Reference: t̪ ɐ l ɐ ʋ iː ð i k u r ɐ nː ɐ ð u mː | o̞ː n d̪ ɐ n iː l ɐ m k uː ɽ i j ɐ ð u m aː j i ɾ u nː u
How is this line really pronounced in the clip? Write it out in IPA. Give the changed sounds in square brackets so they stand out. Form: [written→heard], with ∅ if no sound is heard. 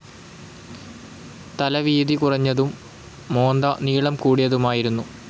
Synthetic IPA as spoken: t̪ ɐ l ɐ ʋ iː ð i k u r ɐ [nː→ɲː] ɐ ð u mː | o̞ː n d̪ ɐ n iː [l→ɭ] ɐ m k uː ɽ i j ɐ ð u m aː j i ɾ u nː u